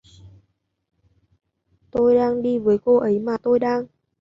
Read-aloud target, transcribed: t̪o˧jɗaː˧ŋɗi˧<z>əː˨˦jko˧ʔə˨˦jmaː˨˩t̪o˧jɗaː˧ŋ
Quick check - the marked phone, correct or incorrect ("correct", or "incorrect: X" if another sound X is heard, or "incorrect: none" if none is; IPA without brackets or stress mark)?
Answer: incorrect: v